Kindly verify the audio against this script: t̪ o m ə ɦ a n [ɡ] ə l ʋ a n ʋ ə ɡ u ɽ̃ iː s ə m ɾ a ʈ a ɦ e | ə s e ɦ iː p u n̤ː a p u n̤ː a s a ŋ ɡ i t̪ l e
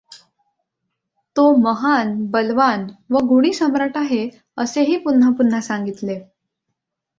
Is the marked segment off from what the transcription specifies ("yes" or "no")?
yes